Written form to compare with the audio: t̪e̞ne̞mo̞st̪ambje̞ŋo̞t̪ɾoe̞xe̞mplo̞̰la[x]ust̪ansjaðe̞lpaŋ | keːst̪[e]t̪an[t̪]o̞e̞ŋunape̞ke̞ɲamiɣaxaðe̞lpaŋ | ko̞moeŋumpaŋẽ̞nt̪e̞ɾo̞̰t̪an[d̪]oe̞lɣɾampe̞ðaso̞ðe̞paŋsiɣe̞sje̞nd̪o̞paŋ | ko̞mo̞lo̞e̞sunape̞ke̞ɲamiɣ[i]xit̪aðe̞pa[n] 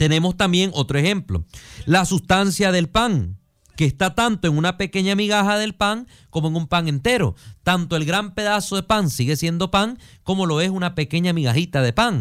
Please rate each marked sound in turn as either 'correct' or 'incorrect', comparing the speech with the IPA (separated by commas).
incorrect, incorrect, correct, incorrect, incorrect, incorrect